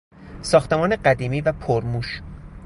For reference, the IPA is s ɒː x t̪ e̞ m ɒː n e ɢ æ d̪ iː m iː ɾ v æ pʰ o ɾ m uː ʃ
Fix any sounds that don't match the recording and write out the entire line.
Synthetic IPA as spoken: s ɒː x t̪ e̞ m ɒː n e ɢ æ d̪ iː m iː v æ pʰ o ɾ m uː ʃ